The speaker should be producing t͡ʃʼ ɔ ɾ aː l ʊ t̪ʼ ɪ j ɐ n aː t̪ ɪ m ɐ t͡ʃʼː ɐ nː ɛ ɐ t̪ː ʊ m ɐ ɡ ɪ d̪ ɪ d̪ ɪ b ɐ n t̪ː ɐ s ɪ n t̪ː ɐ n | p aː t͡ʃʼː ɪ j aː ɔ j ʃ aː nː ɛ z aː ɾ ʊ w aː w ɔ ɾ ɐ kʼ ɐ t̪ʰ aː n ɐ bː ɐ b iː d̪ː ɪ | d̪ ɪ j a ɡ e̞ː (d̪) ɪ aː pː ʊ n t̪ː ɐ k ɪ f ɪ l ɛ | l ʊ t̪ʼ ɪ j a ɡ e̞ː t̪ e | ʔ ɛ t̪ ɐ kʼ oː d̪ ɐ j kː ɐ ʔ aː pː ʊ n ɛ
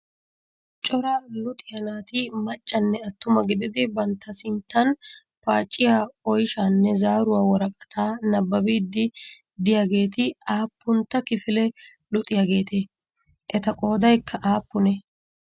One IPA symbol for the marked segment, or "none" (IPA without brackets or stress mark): t̪